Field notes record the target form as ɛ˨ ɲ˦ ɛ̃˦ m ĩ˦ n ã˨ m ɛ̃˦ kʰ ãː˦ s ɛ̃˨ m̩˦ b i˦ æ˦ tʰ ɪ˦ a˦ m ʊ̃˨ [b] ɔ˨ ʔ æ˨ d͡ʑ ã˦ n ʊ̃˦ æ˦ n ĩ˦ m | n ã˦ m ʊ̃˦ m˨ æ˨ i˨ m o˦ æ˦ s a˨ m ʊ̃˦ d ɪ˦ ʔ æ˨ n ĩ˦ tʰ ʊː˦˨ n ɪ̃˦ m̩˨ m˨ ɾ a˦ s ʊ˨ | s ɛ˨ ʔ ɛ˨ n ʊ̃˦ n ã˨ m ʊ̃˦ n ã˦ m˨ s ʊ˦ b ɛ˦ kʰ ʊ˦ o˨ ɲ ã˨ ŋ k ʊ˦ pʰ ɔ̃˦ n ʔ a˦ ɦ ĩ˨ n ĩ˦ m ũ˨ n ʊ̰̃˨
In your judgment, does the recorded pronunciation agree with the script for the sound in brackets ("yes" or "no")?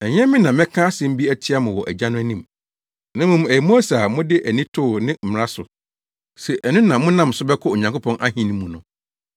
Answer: no